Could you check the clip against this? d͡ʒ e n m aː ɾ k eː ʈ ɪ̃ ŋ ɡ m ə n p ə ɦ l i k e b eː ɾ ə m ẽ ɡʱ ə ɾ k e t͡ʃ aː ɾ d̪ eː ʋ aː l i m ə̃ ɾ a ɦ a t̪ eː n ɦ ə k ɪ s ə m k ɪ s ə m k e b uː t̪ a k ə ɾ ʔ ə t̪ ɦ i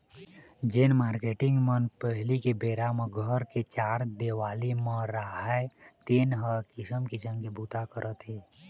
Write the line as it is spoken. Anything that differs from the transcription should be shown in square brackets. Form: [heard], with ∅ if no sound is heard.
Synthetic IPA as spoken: d͡ʒ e n m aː ɾ k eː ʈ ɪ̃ ŋ ɡ m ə n p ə ɦ l i k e b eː ɾ [a] m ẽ ɡʱ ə ɾ k e t͡ʃ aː ɾ d̪ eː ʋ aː l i m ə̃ ɾ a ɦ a t̪ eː n ɦ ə k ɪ s ə m k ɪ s ə m k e b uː t̪ a k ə ɾ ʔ ə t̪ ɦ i

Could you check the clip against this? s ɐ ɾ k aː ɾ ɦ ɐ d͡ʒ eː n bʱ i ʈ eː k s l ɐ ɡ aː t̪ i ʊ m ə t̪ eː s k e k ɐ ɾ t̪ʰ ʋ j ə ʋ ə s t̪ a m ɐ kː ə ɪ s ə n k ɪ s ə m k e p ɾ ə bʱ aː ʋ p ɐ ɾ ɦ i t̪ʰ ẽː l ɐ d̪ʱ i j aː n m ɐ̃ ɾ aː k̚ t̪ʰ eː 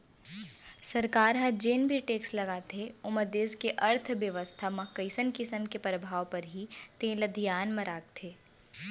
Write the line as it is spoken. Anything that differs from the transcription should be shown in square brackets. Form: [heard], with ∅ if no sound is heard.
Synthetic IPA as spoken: s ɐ ɾ k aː ɾ ɦ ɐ d͡ʒ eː n bʱ i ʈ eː k s l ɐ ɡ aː t̪ [e] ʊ m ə [d̪] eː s k e [ʔ] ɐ ɾ t̪ʰ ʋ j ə ʋ ə s [t̪ʰ] a m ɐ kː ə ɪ s ə n k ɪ s ə m k e p ɾ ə bʱ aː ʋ p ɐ ɾ ɦ i [t̪] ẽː l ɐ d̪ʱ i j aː n m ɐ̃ ɾ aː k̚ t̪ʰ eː

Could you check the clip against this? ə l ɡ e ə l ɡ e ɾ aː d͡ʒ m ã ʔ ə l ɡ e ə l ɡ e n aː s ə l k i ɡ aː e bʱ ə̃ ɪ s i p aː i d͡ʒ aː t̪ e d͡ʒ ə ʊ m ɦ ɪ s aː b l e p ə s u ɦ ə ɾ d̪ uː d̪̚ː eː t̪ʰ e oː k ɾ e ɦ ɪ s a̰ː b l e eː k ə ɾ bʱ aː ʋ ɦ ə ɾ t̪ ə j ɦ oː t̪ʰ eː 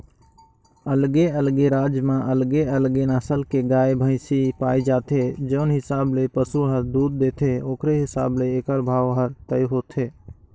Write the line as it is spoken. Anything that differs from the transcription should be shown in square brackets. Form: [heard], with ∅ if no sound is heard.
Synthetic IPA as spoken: ə l ɡ e ə l ɡ e ɾ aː d͡ʒ m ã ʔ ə l ɡ e ə l ɡ e n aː s ə l k [e] ɡ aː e bʱ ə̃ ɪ s i p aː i d͡ʒ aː t̪ e d͡ʒ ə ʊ [n] ɦ ɪ s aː b l e p ə s u ɦ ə ɾ d̪ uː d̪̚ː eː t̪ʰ e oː k ɾ e ɦ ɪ s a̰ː b l e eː k ə ɾ bʱ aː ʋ ɦ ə ɾ t̪ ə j ɦ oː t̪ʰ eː

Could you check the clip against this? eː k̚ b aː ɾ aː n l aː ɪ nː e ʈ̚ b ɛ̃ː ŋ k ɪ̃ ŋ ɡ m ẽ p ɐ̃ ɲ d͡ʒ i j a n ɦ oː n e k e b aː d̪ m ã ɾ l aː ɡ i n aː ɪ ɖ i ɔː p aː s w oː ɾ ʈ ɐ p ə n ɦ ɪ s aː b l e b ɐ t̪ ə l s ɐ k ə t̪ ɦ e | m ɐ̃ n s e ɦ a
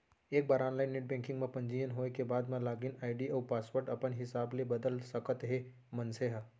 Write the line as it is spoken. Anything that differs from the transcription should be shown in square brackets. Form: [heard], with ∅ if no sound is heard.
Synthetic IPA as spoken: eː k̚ b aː ɾ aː n l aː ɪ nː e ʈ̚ b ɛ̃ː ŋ k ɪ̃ ŋ ɡ m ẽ p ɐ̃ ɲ d͡ʒ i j [ə] n ɦ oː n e k e b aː d̪ m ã [∅] l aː ɡ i n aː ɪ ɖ i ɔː p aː s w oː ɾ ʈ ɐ p ə n ɦ ɪ s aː b l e b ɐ [d̪] ə l s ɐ k ə t̪ ɦ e | m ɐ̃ n s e ɦ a

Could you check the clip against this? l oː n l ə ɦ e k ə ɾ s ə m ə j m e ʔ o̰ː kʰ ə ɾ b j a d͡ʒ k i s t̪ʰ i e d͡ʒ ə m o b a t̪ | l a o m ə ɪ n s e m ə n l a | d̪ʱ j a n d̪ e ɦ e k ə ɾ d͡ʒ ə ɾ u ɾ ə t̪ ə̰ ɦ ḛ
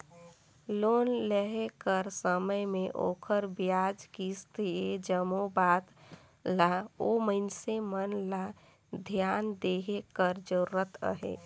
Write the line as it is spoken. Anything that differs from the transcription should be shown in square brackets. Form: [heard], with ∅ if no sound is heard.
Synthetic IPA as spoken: l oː n l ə ɦ e k ə ɾ s ə m ə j m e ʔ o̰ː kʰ ə ɾ b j a d͡ʒ k i s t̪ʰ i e d͡ʒ ə m o b a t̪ | l a o m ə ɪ n s e m ə n l a | d̪ʱ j a n d̪ e ɦ e k ə ɾ d͡ʒ ə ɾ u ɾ ə t̪ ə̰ ɦ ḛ

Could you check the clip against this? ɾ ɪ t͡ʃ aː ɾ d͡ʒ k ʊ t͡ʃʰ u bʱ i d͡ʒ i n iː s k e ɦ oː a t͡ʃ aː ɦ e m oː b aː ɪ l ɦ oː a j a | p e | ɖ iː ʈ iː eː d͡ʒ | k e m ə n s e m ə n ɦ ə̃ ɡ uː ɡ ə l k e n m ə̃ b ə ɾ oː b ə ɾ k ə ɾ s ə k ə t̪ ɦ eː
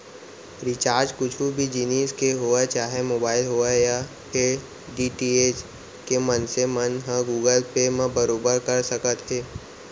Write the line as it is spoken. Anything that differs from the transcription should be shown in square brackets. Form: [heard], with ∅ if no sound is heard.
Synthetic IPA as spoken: ɾ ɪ t͡ʃ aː ɾ d͡ʒ k ʊ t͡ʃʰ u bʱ i d͡ʒ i n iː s k e ɦ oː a t͡ʃ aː ɦ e m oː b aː ɪ l ɦ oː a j a | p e | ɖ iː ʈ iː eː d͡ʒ | k e m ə n s e m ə n ɦ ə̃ ɡ uː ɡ ə l [p] e [∅] m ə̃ b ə ɾ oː b ə ɾ k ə ɾ s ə k ə t̪ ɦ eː

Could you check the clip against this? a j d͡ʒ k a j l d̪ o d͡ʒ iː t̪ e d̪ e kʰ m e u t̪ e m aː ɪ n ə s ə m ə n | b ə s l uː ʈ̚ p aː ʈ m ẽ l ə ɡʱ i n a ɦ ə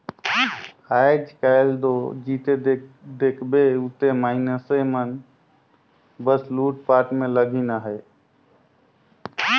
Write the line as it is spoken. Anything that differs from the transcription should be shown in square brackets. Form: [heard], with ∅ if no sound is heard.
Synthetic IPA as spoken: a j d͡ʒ k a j l d̪ o d͡ʒ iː t̪ e d̪ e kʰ [b] e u t̪ e m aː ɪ n ə s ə m ə n | b ə s l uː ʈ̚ p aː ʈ m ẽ l ə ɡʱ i n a ɦ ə

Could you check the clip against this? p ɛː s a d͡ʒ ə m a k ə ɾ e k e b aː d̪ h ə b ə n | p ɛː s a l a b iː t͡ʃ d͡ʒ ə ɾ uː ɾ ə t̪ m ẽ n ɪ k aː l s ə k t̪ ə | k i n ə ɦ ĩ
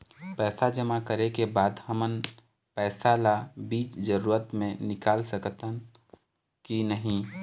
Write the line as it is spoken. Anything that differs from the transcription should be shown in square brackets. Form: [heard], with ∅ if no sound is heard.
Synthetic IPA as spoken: p ɛː s a d͡ʒ ə m a k ə ɾ e k e b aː d̪ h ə [m] ə n | p ɛː s a l a b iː t͡ʃ d͡ʒ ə ɾ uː ɾ ə t̪ m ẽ n ɪ k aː l s ə k t̪ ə | k i n ə ɦ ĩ

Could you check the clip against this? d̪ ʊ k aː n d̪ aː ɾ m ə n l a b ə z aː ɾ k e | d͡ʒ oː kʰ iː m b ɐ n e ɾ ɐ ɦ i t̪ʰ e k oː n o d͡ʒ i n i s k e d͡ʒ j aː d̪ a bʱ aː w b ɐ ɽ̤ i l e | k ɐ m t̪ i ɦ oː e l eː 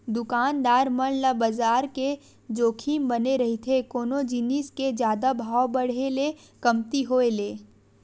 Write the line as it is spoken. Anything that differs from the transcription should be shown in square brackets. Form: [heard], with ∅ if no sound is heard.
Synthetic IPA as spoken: d̪ ʊ k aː n d̪ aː ɾ m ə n l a b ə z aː ɾ k e | d͡ʒ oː kʰ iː m b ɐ n e ɾ ɐ ɦ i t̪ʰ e k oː n o d͡ʒ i n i s k e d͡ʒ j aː d̪ a bʱ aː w b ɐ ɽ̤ [e] l e | k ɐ m t̪ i ɦ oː e l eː

